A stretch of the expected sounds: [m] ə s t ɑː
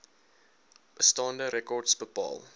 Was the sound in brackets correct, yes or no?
no